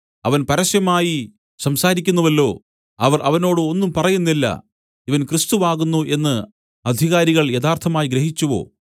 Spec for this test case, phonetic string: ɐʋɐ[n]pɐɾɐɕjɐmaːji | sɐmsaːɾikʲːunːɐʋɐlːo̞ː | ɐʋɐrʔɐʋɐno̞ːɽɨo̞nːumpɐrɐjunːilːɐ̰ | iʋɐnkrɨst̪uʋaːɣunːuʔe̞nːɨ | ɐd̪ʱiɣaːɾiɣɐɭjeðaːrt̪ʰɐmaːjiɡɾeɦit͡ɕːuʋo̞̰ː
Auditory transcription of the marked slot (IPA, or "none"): n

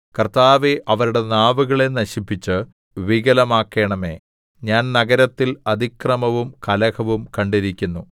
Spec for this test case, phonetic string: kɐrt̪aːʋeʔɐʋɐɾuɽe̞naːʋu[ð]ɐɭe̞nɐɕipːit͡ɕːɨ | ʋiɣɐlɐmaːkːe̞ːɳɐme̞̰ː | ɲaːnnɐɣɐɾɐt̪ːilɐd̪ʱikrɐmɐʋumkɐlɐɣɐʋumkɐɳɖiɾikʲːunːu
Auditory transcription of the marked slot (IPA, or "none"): ɣ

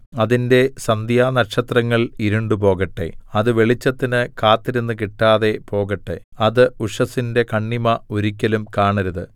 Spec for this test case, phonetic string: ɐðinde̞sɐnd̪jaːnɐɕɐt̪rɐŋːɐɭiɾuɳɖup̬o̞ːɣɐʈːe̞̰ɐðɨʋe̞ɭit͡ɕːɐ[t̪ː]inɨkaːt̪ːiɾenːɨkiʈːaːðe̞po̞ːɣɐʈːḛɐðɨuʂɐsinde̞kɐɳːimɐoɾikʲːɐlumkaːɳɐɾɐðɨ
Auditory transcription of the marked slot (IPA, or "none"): t̪ː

